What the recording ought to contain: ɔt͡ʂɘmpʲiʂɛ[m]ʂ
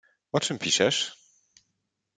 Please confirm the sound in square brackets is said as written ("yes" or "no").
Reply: no